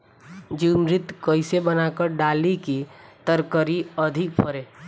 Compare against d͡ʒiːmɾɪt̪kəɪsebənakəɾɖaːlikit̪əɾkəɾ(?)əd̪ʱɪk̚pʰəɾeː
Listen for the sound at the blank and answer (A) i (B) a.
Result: A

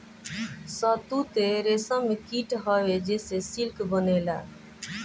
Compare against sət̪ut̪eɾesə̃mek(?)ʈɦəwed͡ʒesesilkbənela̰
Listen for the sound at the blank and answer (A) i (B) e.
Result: A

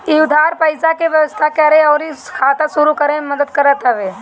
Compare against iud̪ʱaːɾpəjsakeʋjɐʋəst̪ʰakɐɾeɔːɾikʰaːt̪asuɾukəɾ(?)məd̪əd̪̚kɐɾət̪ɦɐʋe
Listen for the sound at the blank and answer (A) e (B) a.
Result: A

